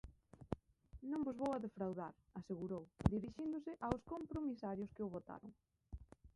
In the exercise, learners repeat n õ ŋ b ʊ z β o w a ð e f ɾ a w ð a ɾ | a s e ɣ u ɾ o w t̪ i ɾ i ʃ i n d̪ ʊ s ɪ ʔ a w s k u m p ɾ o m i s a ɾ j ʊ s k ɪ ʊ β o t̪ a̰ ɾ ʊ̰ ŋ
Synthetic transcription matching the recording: n õ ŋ b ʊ z β o w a ð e f ɾ a w ð a ɾ | a s e ɣ u ɾ o w d̪ i ɾ i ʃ i n d̪ ʊ s ɪ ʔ a w s k o m p ɾ o m i s a ɾ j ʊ s k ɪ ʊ β o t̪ a̰ ɾ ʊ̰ ŋ